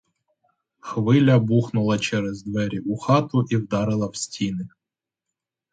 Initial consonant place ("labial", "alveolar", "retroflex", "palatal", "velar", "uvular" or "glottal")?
velar